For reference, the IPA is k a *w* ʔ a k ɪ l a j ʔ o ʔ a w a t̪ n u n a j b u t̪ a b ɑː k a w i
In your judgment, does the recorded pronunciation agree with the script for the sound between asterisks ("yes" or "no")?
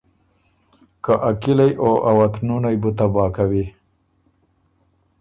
no